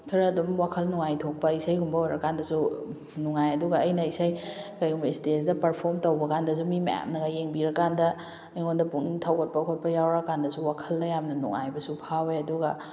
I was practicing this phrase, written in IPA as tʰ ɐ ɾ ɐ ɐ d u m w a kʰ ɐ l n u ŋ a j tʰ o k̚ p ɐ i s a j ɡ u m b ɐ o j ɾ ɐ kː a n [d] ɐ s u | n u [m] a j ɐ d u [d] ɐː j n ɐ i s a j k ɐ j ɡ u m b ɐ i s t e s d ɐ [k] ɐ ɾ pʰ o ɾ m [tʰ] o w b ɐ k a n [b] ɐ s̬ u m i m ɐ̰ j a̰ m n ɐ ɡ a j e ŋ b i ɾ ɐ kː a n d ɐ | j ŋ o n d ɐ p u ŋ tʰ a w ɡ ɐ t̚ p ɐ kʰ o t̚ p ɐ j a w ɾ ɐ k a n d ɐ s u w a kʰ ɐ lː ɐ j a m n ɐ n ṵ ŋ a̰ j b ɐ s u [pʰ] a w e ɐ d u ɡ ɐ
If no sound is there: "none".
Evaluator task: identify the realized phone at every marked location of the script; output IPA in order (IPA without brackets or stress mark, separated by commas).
d, ŋ, ɡ, p, t, d, pʰ